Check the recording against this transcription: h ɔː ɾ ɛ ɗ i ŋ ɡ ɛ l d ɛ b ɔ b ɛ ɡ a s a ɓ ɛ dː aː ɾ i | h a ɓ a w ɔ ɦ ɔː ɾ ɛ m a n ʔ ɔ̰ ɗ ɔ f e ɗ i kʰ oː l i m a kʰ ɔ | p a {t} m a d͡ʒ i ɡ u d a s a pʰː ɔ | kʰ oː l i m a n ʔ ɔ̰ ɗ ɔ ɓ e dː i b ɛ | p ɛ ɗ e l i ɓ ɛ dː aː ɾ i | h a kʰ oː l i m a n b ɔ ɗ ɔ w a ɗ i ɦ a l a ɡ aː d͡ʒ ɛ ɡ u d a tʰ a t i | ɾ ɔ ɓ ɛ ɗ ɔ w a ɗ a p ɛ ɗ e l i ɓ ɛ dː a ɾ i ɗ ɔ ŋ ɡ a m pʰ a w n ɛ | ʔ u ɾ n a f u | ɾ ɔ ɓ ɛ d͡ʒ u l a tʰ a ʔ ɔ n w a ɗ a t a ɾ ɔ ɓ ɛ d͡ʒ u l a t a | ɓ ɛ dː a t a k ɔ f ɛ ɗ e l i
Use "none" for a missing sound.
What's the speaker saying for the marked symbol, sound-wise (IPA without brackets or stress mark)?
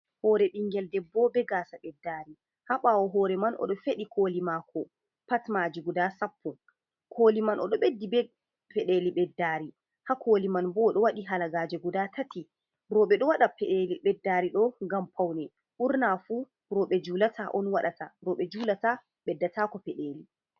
t